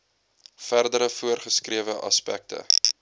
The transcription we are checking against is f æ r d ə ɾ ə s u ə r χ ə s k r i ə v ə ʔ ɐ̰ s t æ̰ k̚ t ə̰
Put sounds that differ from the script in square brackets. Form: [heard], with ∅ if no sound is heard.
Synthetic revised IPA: f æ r d ə ɾ ə [f] u ə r χ ə s k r i ə v ə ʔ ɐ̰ s [p] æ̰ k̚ t ə̰